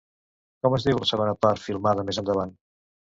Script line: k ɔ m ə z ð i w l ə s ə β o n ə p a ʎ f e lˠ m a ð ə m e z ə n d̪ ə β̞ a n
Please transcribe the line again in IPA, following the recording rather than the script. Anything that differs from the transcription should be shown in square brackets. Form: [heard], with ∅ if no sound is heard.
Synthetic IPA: k ɔ m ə z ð i w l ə s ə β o n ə p a [ɾ] f [i] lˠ m a ð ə m e z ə n d̪ ə β̞ a n